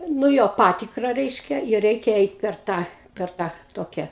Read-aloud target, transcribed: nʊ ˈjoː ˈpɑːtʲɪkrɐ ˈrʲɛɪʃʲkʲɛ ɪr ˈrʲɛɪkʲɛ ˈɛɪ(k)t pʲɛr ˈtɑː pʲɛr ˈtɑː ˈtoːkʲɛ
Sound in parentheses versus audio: incorrect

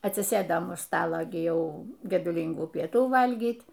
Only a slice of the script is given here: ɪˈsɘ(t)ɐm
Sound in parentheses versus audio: incorrect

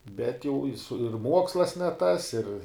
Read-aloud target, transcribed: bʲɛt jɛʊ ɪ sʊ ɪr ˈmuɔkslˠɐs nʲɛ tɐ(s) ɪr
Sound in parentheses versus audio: correct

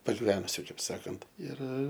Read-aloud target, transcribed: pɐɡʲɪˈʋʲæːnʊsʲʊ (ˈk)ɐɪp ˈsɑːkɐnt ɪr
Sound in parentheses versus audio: correct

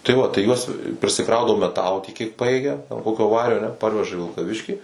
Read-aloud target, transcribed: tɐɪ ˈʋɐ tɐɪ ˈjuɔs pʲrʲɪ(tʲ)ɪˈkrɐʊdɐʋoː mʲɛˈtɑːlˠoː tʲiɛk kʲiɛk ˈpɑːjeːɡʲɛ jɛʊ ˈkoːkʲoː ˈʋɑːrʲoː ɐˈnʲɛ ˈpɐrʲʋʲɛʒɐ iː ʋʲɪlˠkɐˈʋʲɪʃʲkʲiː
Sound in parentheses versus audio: incorrect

